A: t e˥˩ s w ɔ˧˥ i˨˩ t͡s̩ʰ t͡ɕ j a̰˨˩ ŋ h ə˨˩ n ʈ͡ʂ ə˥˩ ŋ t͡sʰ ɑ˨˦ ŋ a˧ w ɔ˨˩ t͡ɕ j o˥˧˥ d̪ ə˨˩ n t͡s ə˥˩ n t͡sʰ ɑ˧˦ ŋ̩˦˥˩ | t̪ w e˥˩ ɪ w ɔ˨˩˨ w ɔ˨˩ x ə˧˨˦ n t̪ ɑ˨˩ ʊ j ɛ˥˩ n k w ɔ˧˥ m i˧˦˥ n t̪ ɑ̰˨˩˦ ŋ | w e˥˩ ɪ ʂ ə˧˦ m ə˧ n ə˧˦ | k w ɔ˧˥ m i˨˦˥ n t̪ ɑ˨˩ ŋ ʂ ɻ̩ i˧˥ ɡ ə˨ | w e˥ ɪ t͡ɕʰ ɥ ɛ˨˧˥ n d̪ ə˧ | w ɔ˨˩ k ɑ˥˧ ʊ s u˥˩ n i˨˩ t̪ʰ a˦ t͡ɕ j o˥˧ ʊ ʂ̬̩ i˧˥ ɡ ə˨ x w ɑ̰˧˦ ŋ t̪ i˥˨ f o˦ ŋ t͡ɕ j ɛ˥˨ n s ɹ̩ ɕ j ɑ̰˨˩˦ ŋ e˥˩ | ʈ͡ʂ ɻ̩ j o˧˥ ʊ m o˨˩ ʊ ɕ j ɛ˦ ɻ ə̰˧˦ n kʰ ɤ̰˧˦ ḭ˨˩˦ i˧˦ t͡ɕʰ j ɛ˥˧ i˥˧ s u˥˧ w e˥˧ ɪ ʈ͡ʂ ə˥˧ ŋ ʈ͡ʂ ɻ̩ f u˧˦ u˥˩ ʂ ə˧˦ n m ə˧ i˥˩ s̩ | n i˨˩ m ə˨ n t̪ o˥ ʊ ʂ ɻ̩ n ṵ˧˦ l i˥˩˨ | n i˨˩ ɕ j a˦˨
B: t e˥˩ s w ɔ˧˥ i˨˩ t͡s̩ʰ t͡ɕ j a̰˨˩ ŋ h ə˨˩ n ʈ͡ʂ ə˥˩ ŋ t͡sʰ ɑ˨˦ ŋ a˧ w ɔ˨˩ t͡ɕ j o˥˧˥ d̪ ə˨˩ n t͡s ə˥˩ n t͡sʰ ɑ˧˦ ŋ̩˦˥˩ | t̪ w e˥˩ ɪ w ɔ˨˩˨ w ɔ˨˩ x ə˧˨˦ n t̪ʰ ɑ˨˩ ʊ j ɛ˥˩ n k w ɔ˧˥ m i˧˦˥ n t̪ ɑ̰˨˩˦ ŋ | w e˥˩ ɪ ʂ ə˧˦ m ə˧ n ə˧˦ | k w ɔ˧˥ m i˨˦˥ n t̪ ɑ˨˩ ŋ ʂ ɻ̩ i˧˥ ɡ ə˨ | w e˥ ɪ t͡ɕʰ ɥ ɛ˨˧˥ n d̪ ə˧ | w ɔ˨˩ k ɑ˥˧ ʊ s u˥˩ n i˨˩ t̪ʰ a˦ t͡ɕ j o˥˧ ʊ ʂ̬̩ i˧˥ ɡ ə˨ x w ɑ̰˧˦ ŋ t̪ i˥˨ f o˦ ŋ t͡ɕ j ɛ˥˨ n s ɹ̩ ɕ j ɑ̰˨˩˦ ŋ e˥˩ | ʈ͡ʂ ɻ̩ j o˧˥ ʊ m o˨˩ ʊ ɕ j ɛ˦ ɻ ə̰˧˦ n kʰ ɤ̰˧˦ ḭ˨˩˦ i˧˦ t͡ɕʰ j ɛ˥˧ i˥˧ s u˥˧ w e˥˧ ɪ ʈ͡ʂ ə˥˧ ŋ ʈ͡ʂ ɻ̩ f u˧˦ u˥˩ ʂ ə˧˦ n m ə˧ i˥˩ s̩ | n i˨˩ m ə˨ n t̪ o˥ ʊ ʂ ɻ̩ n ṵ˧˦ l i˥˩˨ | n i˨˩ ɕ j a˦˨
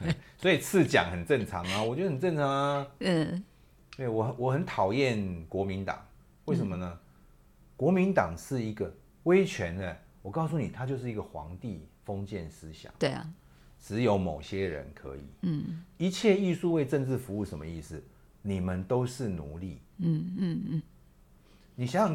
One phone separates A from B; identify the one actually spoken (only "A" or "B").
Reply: B